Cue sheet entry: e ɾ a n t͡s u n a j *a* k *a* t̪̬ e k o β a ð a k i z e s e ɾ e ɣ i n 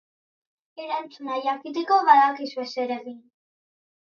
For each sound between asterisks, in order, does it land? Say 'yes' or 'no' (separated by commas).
yes, no